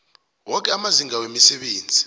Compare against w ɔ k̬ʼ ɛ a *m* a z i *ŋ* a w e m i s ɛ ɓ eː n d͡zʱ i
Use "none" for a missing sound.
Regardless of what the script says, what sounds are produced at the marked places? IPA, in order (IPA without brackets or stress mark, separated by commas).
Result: m, ŋ